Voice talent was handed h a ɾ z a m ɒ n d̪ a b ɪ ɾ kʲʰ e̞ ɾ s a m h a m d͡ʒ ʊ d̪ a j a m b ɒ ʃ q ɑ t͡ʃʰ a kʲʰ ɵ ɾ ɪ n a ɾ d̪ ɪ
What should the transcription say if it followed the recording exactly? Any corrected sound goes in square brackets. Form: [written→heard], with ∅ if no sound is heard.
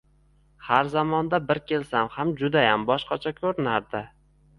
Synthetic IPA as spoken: h a ɾ z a m ɒ n d̪ a b ɪ ɾ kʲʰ e̞ [ɾ→l] s a m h a m d͡ʒ ʊ d̪ a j a m b ɒ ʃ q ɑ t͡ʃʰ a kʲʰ ɵ ɾ ɪ n a ɾ d̪ ɪ